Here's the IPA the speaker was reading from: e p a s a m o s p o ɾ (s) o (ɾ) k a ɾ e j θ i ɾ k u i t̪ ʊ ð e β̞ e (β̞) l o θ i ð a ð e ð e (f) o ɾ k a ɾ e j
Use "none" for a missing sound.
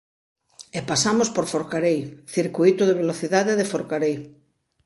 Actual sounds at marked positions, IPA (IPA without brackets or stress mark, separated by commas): f, ɾ, none, f